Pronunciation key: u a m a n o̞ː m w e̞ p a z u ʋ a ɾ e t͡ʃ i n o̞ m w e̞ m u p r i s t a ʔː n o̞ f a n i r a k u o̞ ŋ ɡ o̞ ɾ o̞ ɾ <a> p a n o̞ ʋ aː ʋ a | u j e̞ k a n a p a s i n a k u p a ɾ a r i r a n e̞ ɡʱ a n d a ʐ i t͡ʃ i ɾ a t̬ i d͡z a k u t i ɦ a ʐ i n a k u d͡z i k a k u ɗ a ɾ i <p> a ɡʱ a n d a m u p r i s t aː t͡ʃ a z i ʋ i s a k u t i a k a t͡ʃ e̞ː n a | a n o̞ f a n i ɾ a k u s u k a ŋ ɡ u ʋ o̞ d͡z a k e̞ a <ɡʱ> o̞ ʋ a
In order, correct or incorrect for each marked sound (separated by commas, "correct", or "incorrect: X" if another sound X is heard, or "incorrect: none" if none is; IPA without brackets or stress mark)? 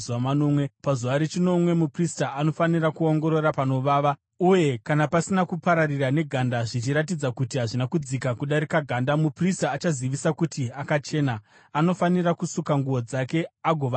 correct, incorrect: k, correct